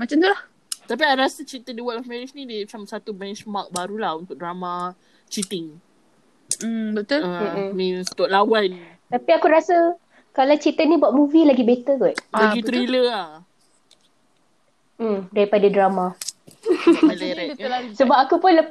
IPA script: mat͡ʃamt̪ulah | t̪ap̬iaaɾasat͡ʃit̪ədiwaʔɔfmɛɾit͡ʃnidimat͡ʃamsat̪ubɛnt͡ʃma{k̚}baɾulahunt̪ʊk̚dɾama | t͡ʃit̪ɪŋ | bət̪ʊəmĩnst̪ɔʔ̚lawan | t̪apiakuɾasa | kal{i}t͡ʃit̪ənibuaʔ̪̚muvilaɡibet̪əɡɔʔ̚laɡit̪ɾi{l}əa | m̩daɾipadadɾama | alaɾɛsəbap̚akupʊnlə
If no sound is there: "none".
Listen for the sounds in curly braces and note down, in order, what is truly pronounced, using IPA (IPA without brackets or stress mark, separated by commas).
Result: k̚, a, l